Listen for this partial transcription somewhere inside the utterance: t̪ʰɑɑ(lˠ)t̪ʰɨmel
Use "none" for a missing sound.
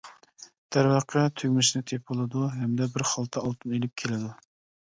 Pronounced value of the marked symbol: lˠ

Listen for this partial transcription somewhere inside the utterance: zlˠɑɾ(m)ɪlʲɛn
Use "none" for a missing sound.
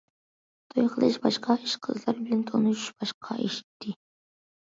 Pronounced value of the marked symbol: b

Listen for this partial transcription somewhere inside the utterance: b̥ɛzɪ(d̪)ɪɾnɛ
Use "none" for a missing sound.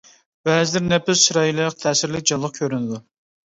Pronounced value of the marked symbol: d̪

